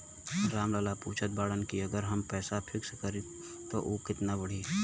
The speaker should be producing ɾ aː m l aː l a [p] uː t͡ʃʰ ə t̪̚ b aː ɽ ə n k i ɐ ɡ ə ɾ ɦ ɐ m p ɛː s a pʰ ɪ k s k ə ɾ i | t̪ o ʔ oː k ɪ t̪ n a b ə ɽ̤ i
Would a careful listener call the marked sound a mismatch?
no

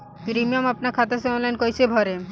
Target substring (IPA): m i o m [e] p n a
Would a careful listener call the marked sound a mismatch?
yes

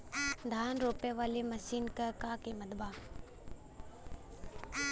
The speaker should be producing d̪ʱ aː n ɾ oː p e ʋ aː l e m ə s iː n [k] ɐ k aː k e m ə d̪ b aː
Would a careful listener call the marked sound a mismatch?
no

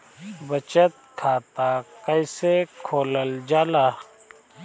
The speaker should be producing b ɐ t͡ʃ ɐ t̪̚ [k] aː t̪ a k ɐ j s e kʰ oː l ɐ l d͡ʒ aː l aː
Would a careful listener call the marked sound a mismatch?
yes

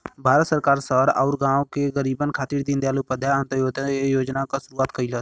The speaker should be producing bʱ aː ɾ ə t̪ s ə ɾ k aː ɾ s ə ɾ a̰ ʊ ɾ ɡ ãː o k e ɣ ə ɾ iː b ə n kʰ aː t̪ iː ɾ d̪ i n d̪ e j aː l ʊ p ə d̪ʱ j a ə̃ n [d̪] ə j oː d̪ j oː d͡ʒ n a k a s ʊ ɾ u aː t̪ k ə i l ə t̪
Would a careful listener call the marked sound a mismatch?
yes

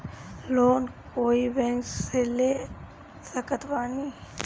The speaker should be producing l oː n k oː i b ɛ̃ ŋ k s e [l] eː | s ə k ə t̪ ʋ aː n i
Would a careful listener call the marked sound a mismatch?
no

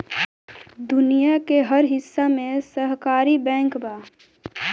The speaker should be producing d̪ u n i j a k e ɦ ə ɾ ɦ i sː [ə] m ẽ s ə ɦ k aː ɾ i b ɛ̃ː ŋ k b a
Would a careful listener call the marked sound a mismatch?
yes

